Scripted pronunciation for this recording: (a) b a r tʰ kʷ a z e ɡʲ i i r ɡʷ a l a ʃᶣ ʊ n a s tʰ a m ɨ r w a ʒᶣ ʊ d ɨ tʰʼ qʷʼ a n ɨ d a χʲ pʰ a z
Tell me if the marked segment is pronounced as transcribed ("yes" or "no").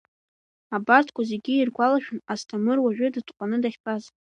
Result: yes